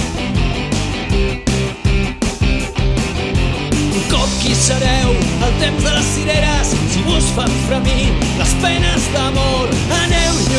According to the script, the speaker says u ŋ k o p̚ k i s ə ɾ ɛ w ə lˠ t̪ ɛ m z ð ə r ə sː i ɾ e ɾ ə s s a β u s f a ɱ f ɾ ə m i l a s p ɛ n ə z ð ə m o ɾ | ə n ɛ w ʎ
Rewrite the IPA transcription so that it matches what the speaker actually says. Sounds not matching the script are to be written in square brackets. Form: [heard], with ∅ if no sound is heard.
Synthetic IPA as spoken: u ŋ k [ɔ] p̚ k i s ə ɾ ɛ w ə lˠ t̪ [e] m z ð ə [l] ə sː i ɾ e ɾ ə s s [i] β u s f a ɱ f ɾ ə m i l [ə] s p ɛ n ə z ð ə m o ɾ | ə n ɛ w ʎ